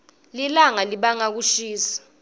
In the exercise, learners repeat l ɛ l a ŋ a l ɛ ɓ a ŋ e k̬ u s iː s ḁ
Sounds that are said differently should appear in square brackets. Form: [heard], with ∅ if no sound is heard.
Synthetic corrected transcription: l [i] l a ŋ a l [i] ɓ a ŋ [a] k̬ u [ʃ] iː s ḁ